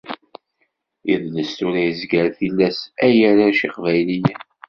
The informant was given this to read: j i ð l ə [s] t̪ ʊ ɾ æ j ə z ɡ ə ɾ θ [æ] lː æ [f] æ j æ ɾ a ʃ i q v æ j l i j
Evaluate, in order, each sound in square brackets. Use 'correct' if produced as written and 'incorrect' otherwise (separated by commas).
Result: correct, incorrect, incorrect